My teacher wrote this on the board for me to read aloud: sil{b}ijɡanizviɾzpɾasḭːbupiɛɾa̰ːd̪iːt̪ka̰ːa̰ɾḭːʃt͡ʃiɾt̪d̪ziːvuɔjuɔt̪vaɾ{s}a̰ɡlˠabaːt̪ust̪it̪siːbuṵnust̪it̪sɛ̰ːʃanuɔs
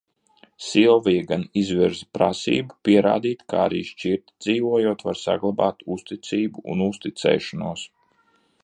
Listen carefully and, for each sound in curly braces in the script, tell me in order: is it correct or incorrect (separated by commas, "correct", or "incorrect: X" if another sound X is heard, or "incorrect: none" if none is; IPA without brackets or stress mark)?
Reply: incorrect: v, correct